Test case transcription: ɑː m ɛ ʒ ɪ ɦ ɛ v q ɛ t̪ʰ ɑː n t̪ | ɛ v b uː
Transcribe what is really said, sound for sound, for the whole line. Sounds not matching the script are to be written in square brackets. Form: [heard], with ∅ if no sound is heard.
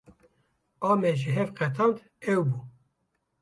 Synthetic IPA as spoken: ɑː m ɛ ʒ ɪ ɦ ɛ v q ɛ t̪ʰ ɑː n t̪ | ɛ [w] b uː